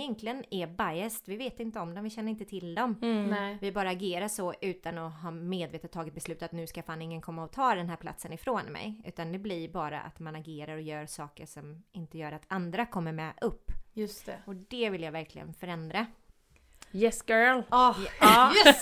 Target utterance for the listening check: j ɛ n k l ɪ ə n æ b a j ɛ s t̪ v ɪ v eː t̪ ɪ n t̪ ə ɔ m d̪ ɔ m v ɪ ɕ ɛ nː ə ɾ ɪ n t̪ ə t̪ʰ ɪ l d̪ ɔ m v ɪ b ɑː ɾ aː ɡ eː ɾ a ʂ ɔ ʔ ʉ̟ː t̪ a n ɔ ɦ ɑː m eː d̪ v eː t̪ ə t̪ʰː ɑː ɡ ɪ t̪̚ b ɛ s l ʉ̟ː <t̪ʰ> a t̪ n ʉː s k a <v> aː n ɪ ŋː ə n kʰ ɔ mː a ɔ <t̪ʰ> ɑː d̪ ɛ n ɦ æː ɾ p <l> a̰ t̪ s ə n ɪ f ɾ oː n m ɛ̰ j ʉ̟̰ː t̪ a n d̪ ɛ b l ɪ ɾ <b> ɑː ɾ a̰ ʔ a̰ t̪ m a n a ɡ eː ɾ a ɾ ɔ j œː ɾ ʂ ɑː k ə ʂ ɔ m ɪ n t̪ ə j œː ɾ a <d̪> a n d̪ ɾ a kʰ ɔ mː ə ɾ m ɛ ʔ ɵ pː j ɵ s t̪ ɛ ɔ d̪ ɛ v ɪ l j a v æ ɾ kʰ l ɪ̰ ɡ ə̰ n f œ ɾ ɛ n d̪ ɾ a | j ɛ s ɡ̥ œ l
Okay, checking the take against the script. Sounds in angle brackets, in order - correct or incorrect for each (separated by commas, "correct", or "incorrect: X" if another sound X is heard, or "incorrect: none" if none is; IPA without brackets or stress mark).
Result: incorrect: t̪, incorrect: f, correct, correct, correct, incorrect: t̪